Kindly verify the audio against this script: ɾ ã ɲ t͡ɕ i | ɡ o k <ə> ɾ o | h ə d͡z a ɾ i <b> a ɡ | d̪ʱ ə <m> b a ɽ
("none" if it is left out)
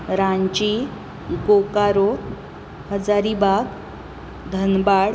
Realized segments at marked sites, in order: a, b, n

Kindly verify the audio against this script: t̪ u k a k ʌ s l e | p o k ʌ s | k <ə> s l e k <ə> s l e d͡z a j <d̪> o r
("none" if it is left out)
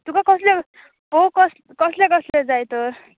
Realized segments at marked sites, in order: ʌ, ʌ, t̪

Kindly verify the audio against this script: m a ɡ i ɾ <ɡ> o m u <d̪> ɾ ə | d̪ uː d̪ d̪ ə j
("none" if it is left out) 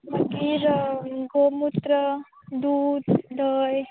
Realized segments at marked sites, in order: ɡ, t̪

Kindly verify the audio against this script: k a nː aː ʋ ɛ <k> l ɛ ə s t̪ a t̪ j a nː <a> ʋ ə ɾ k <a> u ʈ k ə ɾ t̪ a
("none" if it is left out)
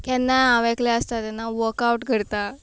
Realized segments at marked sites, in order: k, a, a

